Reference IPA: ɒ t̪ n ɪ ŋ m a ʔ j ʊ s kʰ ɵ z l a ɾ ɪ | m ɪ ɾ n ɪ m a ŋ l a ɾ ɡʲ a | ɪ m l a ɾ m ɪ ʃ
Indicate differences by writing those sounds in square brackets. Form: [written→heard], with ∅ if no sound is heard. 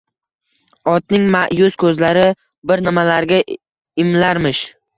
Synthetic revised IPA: ɒ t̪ n ɪ ŋ m a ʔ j ʊ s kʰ ɵ z l a ɾ ɪ | [m→b] ɪ ɾ n ɪ m a [ŋ→∅] l a ɾ ɡʲ a | ɪ m l a ɾ m ɪ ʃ

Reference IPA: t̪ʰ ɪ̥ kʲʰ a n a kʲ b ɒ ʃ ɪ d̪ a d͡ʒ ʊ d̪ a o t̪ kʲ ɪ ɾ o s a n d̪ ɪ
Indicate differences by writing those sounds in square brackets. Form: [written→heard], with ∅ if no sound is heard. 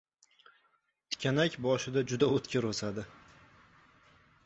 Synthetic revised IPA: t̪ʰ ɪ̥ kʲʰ a n a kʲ b ɒ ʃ ɪ d̪ a d͡ʒ ʊ d̪ a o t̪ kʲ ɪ ɾ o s a [n→∅] d̪ ɪ

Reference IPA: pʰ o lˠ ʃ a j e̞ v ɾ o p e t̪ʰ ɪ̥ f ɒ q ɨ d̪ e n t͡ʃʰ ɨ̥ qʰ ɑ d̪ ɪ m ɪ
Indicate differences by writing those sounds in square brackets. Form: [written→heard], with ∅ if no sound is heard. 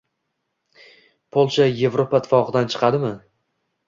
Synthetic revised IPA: pʰ o lˠ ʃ a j e̞ v ɾ o p [e→a] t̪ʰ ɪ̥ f ɒ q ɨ d̪ [e→a] n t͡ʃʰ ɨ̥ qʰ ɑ d̪ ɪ m ɪ

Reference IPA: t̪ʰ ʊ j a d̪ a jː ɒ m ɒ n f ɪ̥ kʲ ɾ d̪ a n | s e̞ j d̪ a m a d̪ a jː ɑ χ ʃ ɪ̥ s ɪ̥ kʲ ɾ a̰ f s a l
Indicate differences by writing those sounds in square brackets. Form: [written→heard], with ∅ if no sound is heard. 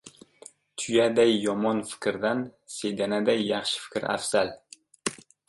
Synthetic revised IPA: t̪ʰ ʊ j a d̪ a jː ɒ m ɒ n f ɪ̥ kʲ ɾ d̪ a n | s e̞ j d̪ a [m→n] a d̪ a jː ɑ χ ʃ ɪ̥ [s→f] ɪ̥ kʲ ɾ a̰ f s a l

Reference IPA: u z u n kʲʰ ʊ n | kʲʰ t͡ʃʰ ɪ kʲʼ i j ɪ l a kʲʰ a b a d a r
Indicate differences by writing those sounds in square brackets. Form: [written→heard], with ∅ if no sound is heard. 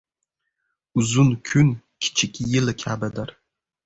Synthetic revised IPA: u z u n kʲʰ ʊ n | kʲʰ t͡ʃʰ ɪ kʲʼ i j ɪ l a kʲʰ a b a d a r

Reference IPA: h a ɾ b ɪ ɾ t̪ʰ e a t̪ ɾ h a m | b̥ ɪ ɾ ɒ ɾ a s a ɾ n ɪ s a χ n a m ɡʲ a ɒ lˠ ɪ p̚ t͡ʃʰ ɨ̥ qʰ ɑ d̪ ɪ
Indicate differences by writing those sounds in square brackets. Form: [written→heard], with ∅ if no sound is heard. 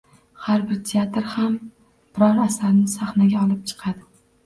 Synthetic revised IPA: h a ɾ b ɪ ɾ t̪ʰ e a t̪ ɾ h a m | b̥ ɪ ɾ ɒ ɾ a s a ɾ n ɪ s a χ n a [m→∅] ɡʲ a ɒ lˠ ɪ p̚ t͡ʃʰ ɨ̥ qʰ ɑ d̪ ɪ

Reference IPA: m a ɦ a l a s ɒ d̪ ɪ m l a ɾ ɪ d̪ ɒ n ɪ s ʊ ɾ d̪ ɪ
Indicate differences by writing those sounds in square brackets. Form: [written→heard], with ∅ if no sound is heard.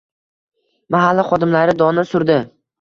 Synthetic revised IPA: m a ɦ a [l→lː] a [s→χ] ɒ d̪ ɪ m l a ɾ ɪ d̪ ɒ n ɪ s ʊ ɾ d̪ ɪ

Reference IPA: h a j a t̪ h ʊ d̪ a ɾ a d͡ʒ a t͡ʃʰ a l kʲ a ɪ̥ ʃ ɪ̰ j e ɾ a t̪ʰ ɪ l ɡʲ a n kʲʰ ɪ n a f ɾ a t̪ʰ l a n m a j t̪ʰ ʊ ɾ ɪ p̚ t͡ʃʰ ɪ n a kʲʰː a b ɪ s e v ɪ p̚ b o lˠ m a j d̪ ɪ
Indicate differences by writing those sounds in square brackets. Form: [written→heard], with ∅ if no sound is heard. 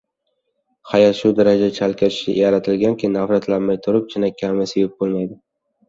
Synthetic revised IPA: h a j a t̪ [h→ʃ] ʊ d̪ a ɾ a d͡ʒ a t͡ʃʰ a l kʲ a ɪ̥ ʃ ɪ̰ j [e→a] ɾ a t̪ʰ ɪ l ɡʲ a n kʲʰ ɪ n a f ɾ a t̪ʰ l a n m a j t̪ʰ ʊ ɾ ɪ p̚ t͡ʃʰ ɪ n a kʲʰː a [b→m] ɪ s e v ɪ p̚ b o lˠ m a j d̪ ɪ

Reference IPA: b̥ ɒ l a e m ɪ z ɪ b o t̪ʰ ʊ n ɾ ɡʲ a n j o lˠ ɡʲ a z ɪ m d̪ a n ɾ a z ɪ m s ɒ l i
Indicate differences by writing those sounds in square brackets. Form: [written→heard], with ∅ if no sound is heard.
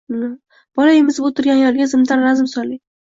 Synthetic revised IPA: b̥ ɒ l a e m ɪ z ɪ b o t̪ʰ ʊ [n→∅] ɾ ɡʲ a n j [o→ɒ] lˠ ɡʲ a z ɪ m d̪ a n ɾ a z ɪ m s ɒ l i

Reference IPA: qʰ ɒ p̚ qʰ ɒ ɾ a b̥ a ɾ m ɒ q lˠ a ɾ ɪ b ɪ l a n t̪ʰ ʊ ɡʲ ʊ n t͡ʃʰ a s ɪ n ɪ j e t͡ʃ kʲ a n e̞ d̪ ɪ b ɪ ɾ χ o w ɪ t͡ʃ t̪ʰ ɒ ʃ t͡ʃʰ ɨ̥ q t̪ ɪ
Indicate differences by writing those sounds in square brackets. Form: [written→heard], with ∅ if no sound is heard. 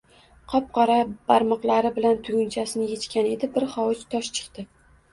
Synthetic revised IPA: qʰ ɒ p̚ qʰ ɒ ɾ a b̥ a ɾ m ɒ q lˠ a ɾ ɪ b ɪ l a n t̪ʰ ʊ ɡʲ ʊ n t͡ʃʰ a s ɪ n ɪ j e t͡ʃ kʲ a n e̞ d̪ ɪ b ɪ ɾ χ [o→ɒ] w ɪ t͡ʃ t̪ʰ ɒ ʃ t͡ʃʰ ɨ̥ q t̪ ɪ

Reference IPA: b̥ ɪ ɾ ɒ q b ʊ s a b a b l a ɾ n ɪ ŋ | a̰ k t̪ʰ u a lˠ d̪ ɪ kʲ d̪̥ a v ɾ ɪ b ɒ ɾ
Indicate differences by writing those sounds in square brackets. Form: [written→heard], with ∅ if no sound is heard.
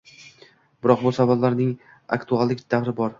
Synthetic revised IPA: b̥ ɪ ɾ ɒ q b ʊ s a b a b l a ɾ n ɪ ŋ | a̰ k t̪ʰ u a lˠ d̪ ɪ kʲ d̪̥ a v ɾ ɪ b ɒ ɾ

